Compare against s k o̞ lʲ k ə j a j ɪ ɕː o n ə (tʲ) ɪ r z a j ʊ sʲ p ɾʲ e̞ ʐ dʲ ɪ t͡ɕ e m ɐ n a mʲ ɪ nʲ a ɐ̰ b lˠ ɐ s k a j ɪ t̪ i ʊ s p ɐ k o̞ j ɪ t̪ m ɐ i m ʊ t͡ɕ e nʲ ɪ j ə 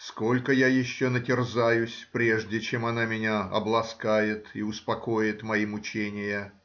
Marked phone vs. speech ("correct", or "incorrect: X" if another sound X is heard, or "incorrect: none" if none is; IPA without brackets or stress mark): correct